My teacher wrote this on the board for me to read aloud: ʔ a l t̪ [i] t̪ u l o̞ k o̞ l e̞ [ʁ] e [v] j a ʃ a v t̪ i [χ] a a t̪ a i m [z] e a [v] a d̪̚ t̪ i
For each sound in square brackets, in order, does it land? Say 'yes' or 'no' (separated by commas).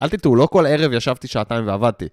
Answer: yes, yes, yes, no, no, yes